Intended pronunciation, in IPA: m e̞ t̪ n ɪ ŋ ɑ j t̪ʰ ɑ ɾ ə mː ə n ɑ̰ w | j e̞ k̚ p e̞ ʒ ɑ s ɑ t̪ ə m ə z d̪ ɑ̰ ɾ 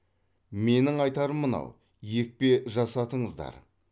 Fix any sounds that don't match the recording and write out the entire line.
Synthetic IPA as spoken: m e̞ n ɪ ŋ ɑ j t̪ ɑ ɾ ə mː ə n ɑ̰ w | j e̞ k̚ p e̞ ʒ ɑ s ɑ t̪ ə ɴ ə z d̪ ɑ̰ ɾ